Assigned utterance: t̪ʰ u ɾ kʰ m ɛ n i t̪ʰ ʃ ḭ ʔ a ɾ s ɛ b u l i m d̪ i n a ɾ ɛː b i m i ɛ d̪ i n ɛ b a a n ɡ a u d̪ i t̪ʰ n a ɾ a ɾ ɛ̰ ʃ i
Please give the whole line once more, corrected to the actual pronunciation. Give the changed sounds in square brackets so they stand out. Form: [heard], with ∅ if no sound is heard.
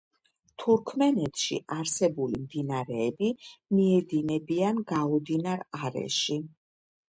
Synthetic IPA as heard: t̪ʰ u ɾ kʰ m ɛ n [ɛ] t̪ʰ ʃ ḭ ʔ a ɾ s ɛ b u l i m d̪ i n a ɾ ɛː b i m i ɛ d̪ i n ɛ b [i] a n ɡ a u d̪ i [∅] n a ɾ a ɾ ɛ̰ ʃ i